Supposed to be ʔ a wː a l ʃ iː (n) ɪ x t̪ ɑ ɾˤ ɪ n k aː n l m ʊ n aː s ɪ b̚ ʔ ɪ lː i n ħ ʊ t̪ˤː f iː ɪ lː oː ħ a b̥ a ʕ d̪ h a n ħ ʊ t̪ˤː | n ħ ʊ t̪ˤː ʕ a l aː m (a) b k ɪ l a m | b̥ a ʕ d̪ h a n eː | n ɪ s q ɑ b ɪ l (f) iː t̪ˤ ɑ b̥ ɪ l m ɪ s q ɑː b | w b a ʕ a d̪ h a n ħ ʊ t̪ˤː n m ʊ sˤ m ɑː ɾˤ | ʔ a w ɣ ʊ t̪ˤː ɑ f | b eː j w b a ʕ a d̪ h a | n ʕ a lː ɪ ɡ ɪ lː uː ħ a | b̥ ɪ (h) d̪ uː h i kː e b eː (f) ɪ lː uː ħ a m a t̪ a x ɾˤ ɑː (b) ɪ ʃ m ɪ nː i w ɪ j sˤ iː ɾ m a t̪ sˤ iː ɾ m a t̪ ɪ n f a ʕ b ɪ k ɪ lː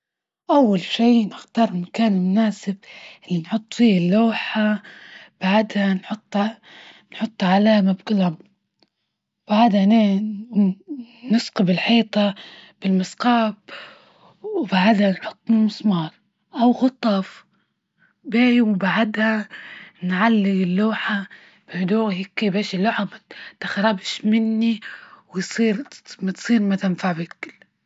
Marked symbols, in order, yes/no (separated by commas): yes, yes, no, yes, no, yes